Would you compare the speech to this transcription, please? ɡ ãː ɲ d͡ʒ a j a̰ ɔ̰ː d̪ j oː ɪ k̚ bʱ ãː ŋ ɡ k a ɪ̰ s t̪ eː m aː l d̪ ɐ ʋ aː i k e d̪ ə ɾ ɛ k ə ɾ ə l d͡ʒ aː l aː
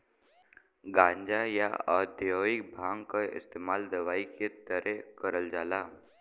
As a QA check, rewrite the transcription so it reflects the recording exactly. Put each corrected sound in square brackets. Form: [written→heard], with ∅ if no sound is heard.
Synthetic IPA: ɡ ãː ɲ d͡ʒ a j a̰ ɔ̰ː d̪ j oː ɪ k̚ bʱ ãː ŋ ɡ k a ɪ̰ s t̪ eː m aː l d̪ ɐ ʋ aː i k e [d̪→t̪] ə ɾ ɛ k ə ɾ ə l d͡ʒ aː l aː